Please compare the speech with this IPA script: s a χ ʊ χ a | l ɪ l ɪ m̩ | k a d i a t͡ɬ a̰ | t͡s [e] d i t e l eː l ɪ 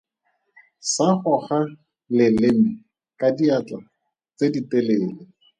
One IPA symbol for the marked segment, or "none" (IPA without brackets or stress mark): e